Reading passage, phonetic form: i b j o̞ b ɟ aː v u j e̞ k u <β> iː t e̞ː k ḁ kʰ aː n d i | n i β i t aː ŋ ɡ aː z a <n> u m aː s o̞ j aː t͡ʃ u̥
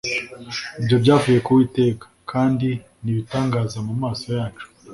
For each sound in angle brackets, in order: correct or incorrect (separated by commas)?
incorrect, incorrect